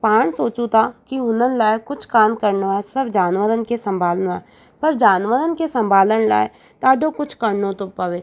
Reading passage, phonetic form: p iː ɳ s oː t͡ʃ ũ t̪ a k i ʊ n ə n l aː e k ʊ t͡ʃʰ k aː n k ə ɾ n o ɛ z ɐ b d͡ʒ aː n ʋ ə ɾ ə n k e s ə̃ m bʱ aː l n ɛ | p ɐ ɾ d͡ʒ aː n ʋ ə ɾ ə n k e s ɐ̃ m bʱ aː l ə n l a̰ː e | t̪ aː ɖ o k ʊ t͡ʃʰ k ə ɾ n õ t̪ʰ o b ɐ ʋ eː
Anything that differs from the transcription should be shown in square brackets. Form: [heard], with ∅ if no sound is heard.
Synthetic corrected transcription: p [aː] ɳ s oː t͡ʃ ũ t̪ a k i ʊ n ə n l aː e k ʊ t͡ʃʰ k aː n k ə ɾ n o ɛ [s] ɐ b d͡ʒ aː n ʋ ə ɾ ə n k e s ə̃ m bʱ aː l n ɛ | p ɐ ɾ d͡ʒ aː n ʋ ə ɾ ə n k e s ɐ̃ m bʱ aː l ə n l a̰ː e | t̪ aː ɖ o k ʊ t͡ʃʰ k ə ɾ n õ [t̪] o [p] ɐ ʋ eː